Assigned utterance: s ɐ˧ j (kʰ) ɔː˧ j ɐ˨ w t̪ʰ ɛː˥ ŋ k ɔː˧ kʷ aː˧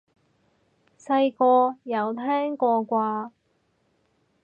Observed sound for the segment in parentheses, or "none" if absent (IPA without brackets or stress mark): k